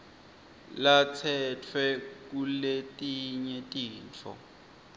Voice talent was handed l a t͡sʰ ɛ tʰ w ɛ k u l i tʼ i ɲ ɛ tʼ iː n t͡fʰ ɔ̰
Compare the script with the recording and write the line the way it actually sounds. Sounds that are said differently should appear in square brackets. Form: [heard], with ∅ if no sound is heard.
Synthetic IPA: l a t͡sʰ ɛ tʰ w ɛ k u l [e] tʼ i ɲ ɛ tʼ iː n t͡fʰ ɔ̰